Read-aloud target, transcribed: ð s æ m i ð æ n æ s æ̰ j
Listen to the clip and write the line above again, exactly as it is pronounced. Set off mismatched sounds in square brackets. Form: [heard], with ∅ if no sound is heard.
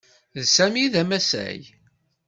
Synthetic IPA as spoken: ð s æ m i ð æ [m] æ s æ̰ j